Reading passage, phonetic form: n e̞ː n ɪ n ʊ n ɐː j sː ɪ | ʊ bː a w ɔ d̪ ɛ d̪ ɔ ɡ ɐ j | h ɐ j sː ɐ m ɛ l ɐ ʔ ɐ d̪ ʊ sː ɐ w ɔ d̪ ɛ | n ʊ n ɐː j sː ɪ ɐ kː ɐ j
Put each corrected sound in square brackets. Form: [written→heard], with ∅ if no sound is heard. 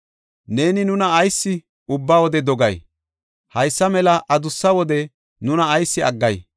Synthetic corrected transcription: n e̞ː n ɪ n ʊ n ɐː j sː ɪ | ʊ bː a w ɔ d̪ ɛ d̪ ɔ ɡ ɐ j | h ɐ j sː ɐ m ɛ l ɐ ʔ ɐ d̪ ʊ sː ɐ w ɔ d̪ ɛ | n ʊ n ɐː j sː ɪ ɐ [kː→ɡː] ɐ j